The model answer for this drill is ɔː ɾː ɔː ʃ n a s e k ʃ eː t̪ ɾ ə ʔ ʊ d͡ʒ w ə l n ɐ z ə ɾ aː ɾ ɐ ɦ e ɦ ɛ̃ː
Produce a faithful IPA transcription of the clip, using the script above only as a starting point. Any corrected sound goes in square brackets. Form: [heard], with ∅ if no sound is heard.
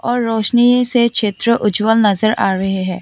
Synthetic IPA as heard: ɔː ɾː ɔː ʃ n [i] s e k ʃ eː t̪ ɾ ə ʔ ʊ d͡ʒ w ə l n ɐ z ə ɾ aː ɾ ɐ ɦ e ɦ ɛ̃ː